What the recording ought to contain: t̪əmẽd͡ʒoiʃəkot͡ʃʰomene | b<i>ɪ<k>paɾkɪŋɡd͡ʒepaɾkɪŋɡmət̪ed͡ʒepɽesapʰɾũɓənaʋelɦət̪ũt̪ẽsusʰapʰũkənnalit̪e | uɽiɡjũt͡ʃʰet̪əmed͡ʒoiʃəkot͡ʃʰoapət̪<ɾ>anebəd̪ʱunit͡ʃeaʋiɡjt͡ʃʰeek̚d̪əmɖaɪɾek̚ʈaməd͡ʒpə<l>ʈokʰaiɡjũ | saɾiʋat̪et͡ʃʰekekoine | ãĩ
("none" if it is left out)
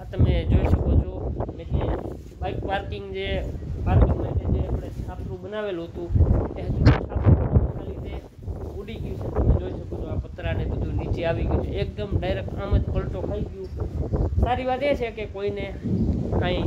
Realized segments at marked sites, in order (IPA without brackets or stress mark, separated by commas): a, k, ɾ, l